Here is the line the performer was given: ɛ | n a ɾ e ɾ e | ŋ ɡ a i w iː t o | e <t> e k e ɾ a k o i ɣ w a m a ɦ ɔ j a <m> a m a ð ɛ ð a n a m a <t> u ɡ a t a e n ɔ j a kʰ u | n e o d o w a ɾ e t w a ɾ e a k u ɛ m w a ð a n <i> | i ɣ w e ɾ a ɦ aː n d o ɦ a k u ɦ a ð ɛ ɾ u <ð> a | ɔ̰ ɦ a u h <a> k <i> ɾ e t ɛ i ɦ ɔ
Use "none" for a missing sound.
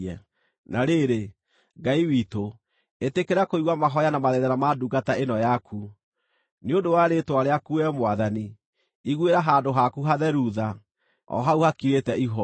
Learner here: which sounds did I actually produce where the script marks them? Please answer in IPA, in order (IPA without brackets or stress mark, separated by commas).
t, n, d, i, ð, a, i